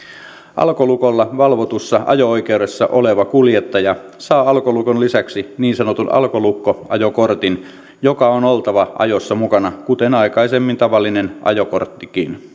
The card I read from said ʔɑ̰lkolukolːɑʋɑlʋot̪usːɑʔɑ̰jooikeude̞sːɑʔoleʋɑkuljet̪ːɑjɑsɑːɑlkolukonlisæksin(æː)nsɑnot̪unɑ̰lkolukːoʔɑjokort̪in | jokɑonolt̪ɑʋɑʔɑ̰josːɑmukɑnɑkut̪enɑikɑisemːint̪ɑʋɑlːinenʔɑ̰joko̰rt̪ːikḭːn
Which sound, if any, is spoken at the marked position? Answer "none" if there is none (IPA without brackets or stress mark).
iː